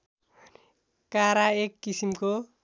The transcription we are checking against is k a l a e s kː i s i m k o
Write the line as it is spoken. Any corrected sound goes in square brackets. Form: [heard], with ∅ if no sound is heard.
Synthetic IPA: k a [ɾ] a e [∅] kː i s i m k o